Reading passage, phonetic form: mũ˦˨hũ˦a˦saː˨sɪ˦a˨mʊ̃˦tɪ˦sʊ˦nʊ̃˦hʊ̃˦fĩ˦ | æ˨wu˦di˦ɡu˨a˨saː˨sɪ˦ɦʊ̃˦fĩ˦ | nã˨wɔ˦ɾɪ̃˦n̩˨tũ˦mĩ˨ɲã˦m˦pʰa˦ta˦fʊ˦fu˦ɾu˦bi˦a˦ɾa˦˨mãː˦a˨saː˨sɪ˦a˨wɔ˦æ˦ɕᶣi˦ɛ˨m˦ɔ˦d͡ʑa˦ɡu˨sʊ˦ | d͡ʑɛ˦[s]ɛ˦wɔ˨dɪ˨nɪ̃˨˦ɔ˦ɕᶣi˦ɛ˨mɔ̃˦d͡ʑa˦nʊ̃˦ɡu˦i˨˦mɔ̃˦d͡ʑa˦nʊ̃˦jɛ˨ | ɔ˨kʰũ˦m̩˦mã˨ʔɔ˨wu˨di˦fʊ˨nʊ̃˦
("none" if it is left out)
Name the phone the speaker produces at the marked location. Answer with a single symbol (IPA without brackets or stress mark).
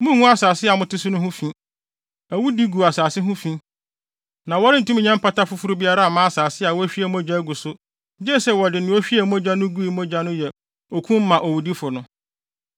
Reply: s